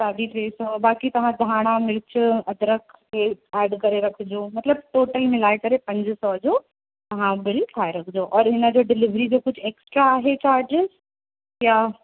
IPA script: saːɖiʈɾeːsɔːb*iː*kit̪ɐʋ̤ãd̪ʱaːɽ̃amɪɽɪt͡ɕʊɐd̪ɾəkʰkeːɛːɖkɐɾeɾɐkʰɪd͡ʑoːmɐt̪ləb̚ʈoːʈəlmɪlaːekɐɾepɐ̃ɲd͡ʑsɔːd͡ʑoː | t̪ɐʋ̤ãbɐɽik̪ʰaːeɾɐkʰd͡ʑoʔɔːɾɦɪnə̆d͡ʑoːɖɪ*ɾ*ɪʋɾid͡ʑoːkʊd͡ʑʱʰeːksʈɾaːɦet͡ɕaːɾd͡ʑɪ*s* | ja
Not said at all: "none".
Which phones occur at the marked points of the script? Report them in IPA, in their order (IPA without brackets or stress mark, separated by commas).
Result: aː, l, z